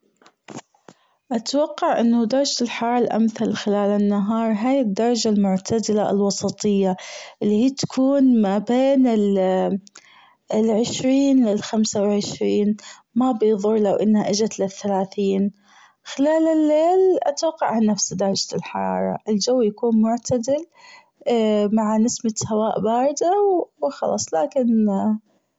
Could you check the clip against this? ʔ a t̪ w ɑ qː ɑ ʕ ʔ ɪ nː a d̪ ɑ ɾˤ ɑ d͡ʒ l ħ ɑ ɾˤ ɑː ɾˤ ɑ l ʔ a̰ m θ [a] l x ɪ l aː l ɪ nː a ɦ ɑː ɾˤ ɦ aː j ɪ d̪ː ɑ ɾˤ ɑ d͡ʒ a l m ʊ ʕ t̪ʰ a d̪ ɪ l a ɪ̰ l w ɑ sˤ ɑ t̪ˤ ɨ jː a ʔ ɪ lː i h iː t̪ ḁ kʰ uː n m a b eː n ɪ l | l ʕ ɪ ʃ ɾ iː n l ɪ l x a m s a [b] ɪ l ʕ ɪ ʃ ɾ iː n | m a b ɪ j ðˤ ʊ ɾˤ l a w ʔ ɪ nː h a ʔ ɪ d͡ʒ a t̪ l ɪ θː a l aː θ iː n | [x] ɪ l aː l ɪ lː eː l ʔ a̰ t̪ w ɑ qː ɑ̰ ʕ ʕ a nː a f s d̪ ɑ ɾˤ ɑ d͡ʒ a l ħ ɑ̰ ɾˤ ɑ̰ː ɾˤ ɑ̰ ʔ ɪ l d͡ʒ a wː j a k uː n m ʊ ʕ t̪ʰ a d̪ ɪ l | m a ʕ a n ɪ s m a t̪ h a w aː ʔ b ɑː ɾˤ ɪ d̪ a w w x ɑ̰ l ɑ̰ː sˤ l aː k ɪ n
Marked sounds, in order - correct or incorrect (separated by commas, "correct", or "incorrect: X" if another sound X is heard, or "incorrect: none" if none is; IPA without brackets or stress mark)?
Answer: correct, incorrect: w, correct